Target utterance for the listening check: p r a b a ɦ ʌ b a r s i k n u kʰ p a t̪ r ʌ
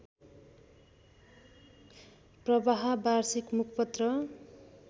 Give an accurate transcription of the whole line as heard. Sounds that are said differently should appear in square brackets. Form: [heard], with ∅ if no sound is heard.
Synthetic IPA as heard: p r [ʌ] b a ɦ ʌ b a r s i k [m] u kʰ p [ʌ] t̪ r ʌ